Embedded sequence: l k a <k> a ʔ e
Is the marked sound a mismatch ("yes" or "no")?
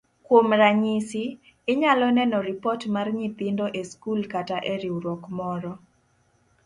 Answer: yes